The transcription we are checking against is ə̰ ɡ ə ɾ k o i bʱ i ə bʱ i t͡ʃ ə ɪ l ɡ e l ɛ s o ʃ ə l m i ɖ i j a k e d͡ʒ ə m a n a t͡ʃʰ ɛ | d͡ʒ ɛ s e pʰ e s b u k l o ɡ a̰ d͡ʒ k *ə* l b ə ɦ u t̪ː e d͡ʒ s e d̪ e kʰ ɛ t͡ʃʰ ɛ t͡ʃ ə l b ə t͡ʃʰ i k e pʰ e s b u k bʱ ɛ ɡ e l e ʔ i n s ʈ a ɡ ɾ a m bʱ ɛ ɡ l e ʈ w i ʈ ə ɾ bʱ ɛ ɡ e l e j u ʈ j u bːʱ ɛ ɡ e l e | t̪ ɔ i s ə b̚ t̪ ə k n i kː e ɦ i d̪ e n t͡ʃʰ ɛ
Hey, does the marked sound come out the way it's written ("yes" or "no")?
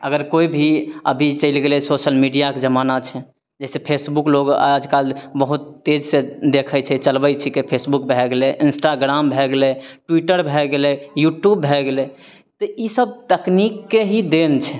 no